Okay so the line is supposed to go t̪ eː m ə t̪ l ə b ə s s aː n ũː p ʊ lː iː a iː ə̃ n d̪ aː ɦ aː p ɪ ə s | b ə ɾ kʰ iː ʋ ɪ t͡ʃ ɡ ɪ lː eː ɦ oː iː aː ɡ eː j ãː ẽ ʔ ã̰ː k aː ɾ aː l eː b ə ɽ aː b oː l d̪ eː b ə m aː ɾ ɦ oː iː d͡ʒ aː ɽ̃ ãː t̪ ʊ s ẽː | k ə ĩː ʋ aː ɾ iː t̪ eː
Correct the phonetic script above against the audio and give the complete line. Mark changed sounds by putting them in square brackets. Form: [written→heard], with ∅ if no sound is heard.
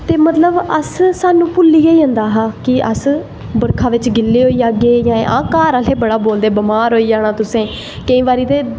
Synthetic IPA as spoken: t̪ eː m ə t̪ l ə b ə s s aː n ũː p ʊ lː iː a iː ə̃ n d̪ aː ɦ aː [p→k] ɪ ə s | b ə ɾ kʰ [iː→aː] ʋ ɪ t͡ʃ ɡ ɪ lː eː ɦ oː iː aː ɡ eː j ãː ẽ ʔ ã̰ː k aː ɾ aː l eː b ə ɽ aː b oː l d̪ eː b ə m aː ɾ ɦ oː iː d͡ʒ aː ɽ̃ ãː t̪ ʊ s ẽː | k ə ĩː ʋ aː ɾ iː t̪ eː